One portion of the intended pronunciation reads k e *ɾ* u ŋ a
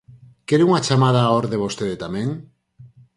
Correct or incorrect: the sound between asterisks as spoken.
correct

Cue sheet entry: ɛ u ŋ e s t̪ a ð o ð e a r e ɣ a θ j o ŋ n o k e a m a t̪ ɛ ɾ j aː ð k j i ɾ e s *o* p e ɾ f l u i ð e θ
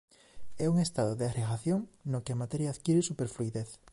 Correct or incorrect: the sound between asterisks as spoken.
incorrect: u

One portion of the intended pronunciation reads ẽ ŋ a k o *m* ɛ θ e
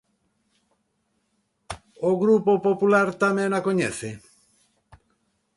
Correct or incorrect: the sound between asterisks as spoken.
incorrect: ɲ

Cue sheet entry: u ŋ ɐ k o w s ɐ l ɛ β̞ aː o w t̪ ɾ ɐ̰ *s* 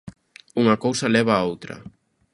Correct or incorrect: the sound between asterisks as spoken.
incorrect: none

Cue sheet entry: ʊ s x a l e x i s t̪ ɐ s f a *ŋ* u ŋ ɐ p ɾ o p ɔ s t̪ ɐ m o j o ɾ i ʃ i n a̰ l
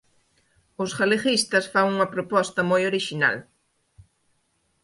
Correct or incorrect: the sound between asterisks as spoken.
correct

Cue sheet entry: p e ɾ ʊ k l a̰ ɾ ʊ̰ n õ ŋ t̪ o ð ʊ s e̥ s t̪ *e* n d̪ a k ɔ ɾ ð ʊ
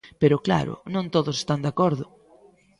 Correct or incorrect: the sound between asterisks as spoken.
incorrect: a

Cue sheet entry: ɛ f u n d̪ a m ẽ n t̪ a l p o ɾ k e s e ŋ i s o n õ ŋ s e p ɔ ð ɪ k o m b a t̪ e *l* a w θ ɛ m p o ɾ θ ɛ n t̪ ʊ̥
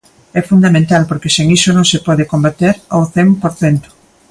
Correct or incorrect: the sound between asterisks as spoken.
incorrect: ɾ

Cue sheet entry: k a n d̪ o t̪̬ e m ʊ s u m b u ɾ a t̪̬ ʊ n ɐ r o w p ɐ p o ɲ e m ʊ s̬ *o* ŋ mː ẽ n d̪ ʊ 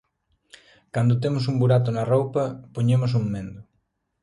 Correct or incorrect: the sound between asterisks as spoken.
incorrect: u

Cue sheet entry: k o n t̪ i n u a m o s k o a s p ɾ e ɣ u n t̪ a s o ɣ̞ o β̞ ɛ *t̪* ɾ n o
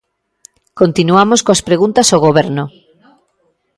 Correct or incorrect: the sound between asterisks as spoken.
incorrect: none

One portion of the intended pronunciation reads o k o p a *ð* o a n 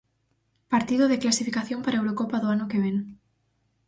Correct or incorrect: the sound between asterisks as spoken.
correct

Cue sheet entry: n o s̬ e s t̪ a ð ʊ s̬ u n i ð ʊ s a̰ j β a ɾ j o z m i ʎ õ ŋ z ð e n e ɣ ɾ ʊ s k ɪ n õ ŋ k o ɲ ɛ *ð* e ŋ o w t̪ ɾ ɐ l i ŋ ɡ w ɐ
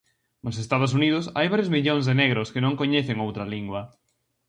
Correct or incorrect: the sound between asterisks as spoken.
incorrect: θ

